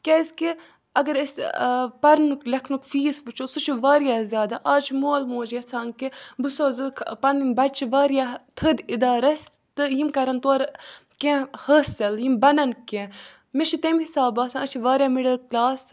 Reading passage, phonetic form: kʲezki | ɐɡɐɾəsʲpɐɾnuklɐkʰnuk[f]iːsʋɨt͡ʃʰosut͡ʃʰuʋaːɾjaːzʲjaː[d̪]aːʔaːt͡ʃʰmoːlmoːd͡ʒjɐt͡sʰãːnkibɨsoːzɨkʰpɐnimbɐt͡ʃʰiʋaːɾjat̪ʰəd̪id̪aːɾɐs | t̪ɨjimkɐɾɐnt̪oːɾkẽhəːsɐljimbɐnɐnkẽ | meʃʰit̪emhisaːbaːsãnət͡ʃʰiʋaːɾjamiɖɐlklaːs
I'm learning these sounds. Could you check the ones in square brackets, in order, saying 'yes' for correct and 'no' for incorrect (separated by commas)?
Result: yes, yes